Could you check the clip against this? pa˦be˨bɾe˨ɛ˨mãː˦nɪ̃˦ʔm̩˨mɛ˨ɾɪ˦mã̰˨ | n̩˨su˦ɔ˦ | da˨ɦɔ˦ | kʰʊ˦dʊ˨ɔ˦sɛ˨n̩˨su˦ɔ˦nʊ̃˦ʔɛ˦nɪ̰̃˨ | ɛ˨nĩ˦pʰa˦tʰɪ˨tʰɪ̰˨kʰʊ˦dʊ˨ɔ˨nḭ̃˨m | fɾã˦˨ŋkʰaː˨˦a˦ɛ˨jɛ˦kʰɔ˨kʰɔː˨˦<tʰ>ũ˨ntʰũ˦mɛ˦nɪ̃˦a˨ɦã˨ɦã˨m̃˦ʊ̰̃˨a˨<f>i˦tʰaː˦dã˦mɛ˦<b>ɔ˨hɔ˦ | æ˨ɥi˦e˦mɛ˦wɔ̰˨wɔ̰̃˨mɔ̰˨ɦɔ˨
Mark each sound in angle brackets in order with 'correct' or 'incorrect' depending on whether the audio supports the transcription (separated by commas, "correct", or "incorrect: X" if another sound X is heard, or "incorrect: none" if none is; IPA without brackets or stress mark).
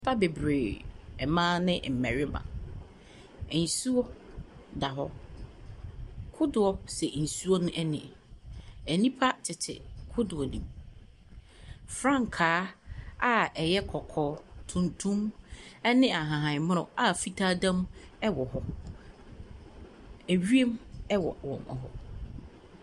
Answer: correct, correct, incorrect: w